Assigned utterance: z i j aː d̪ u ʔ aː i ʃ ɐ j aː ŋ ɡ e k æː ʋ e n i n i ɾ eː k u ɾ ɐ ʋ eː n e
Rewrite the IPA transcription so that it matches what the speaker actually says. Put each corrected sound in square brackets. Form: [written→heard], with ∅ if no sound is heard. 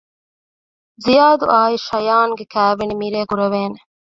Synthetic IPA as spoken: z i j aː d̪ u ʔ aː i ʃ ɐ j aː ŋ ɡ e k æː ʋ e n i [n→m] i ɾ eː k u ɾ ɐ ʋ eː n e